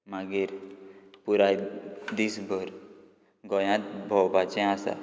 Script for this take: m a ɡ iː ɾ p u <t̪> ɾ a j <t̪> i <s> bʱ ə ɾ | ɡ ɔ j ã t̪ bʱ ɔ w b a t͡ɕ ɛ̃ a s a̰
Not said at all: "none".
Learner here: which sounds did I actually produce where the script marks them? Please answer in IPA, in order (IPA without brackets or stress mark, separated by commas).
none, d̪, s